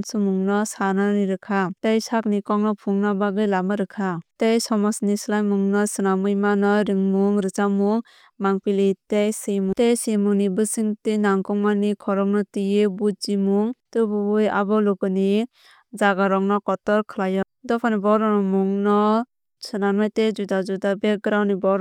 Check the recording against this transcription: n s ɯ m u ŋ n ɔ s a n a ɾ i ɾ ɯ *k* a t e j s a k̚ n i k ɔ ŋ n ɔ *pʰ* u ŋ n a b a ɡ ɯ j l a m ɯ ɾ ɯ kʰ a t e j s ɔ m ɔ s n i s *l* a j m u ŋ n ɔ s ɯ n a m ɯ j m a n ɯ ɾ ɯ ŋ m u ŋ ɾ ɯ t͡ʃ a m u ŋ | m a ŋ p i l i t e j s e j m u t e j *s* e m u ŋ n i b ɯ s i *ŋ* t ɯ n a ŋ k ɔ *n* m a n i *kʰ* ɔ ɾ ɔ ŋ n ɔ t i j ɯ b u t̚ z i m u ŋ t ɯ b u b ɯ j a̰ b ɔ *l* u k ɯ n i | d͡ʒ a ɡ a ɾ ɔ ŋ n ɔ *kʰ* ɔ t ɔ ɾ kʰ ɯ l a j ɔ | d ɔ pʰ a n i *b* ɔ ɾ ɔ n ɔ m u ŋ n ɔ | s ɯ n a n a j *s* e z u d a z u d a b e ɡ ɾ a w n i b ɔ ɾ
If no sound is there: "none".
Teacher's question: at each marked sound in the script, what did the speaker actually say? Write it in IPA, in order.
kʰ, pʰ, l, s, ŋ, ŋ, kʰ, l, k, b, t

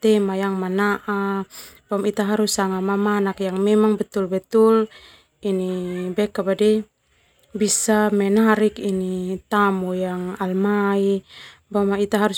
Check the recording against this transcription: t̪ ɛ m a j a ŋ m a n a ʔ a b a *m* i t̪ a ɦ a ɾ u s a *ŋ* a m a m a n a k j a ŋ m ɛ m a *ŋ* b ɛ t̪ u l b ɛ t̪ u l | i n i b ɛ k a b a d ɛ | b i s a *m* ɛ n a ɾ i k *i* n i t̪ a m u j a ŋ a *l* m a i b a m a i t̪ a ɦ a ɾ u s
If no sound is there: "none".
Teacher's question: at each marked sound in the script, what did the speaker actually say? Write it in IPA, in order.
m, ŋ, ŋ, m, i, l

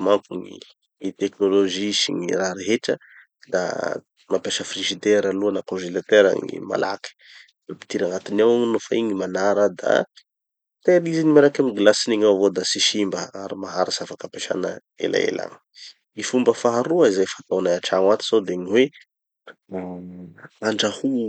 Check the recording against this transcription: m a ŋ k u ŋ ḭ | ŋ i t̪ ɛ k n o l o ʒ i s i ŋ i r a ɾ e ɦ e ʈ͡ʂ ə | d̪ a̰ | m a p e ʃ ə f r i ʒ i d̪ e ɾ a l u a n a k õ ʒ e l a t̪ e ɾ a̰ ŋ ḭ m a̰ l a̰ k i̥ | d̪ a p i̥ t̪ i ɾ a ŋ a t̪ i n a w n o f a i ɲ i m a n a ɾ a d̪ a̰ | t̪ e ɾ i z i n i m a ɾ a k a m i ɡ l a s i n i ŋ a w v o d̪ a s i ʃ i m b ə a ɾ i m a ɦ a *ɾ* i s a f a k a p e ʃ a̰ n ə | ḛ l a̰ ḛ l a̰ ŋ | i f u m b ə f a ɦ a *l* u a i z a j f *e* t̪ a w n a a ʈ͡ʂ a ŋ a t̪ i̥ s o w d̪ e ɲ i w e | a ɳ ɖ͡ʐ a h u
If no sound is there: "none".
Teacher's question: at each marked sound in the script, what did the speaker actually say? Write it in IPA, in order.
ɾ, ɾ, a

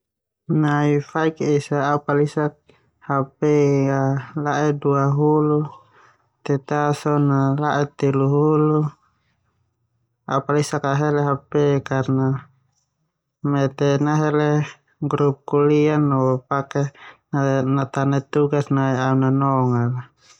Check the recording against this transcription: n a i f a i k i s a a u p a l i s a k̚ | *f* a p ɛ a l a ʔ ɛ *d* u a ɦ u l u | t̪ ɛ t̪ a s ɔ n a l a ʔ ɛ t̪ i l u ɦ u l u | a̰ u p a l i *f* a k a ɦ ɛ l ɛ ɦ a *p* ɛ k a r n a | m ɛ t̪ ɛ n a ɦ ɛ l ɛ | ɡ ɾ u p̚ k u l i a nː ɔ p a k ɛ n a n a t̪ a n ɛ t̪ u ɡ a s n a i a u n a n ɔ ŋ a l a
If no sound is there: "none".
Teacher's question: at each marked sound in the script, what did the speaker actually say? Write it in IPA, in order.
h, d, s, p

